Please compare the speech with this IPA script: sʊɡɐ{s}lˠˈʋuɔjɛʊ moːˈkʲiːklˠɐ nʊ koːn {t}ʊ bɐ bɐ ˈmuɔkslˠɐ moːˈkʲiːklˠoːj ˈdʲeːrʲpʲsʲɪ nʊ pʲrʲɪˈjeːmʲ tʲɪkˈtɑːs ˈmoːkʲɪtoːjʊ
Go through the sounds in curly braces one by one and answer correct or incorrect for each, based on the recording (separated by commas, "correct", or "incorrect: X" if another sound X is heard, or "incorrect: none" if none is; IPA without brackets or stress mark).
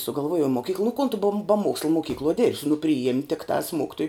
incorrect: none, correct